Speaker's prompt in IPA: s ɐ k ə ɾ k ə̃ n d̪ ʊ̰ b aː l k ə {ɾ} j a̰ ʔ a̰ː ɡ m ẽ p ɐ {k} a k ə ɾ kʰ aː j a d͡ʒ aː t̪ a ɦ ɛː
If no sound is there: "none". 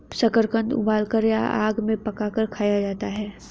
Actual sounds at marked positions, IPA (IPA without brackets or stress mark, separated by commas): ɾ, k